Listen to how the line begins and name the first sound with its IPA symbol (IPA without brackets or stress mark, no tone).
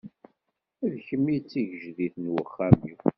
æ